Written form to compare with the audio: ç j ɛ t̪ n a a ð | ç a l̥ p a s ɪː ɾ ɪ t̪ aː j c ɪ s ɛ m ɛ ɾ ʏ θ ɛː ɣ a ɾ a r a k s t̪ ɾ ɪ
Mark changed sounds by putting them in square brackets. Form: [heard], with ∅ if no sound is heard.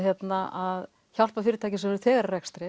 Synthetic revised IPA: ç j ɛ t̪ n a a ð | ç a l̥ p a [f] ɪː ɾ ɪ t̪ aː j c ɪ s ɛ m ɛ ɾ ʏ θ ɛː ɣ a ɾ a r [ɛ] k s t̪ ɾ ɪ